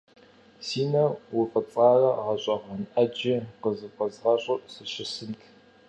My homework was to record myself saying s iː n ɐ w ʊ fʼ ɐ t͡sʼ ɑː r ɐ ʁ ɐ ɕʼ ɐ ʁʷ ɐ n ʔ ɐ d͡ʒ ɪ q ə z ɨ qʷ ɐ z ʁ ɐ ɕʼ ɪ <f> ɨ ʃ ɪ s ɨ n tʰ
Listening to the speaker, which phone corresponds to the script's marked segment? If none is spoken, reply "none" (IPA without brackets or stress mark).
s